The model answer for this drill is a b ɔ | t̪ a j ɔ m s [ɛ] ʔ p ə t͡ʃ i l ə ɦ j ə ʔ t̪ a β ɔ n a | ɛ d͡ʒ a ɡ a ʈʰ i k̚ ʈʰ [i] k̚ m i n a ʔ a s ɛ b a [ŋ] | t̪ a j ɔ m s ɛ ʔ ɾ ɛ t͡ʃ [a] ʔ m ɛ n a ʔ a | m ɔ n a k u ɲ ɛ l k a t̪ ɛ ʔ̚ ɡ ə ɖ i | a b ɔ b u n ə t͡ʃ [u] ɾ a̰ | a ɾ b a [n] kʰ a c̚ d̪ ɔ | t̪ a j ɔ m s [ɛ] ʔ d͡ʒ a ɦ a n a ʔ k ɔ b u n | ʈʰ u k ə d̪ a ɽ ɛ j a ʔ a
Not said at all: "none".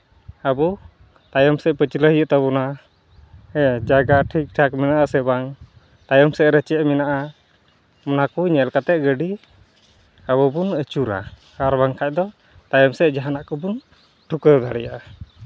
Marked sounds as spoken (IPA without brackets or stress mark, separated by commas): ɛ, a, ŋ, ɛ, u, ŋ, ɛ